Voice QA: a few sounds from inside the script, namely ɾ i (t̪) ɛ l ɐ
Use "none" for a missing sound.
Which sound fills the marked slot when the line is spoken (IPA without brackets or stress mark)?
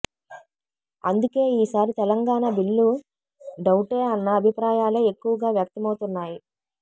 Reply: t̪